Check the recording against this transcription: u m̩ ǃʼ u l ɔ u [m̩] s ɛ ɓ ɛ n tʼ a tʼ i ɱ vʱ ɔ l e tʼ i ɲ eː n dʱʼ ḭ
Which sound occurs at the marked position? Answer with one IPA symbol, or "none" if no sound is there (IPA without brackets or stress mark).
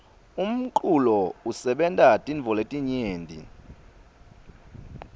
none